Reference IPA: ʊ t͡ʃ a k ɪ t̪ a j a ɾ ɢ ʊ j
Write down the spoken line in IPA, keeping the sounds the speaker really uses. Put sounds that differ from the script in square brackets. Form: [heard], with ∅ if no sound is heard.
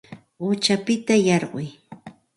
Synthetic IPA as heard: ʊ t͡ʃ a [p] ɪ t̪ a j [ɑ] ɾ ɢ ʊ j